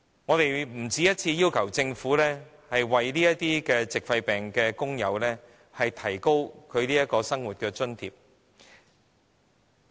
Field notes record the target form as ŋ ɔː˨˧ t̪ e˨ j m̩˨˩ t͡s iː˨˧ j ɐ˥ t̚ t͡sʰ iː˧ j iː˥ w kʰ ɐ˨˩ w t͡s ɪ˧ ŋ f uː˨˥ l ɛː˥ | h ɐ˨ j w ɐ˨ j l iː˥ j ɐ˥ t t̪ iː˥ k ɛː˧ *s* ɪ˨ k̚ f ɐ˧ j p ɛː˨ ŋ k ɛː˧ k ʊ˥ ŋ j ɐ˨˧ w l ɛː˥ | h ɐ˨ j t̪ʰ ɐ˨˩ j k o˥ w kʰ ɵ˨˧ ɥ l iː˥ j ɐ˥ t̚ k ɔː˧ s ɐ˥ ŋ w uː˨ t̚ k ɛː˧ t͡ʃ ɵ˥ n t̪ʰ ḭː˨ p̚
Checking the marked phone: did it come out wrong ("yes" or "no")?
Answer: yes